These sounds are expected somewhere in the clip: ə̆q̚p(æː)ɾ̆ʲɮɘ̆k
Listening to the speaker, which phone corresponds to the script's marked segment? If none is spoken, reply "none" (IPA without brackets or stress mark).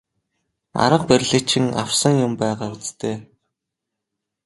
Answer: æ